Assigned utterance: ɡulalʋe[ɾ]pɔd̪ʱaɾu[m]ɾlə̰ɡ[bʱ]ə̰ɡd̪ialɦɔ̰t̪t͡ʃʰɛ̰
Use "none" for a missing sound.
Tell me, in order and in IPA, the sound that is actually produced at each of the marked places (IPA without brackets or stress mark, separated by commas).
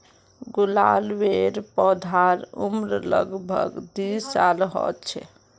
ɾ, m, bʱ